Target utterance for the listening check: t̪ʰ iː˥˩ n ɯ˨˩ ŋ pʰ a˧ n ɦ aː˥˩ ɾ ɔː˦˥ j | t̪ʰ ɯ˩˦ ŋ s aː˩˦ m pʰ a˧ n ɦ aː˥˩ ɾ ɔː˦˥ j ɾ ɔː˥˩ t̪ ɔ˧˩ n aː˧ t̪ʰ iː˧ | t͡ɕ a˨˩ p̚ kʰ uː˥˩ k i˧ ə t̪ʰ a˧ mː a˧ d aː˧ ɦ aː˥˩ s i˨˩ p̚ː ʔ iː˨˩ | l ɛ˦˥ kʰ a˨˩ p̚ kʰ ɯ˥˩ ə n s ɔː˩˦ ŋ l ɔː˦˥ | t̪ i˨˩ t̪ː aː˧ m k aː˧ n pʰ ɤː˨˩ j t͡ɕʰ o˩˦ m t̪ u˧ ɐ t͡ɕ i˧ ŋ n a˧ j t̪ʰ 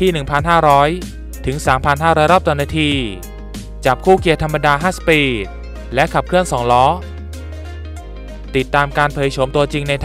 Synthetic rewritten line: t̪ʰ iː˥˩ n ɯ˨˩ ŋ pʰ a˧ n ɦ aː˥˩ ɾ ɔː˦˥ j | t̪ʰ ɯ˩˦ ŋ s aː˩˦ m pʰ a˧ n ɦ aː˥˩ ɾ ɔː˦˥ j ɾ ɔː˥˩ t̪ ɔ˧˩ n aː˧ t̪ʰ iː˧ | t͡ɕ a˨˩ p̚ kʰ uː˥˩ k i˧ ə t̪ʰ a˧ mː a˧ d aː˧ ɦ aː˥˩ s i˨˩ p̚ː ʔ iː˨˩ | l ɛ˦˥ kʰ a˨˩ p̚ kʰ ɯ˥˩ ə n s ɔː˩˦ ŋ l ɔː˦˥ | t̪ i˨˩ t̪ː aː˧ m k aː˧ n pʰ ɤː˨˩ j t͡ɕʰ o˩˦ m t̪ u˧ ɐ t͡ɕ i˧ ŋ n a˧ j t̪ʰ